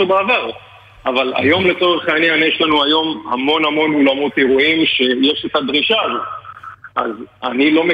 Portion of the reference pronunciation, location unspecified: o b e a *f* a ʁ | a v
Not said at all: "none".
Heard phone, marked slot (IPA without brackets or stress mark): v